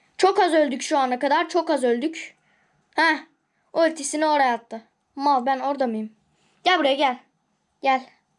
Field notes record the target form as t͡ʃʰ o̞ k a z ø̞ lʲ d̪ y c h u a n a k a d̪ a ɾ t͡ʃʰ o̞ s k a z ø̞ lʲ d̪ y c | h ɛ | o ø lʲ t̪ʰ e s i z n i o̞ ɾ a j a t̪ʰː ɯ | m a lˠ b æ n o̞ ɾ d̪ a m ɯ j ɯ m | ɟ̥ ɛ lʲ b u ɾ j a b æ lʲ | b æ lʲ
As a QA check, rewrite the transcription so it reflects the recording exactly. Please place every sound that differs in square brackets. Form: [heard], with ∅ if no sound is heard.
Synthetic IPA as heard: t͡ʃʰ o̞ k a z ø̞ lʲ d̪ y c [ʃ] u a n a k a d̪ a ɾ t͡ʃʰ o̞ [∅] k a z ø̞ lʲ d̪ y c | h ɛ | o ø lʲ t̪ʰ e s i [∅] n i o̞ ɾ a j a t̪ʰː ɯ | m a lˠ b æ n o̞ ɾ d̪ a m ɯ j ɯ m | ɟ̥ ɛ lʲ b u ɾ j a [ɟ] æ lʲ | [ɟ] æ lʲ